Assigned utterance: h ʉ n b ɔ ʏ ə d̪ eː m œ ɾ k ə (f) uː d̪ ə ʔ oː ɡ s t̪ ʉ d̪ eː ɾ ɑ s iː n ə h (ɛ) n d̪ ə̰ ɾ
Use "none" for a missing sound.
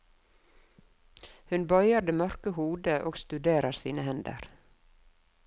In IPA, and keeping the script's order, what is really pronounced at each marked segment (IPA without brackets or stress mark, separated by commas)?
h, ɛ